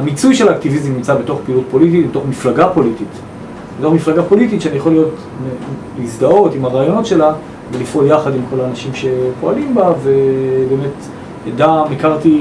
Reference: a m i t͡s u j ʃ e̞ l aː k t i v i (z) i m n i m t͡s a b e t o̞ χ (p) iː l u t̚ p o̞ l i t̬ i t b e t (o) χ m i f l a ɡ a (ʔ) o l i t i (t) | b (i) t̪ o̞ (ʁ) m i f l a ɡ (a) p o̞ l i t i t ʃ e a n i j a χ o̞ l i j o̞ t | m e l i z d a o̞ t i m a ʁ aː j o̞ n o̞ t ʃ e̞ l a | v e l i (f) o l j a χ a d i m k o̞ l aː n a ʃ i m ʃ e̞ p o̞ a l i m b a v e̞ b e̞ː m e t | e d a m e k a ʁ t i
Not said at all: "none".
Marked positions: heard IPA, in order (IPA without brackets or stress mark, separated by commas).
z, p, o, p, t, e, χ, a, f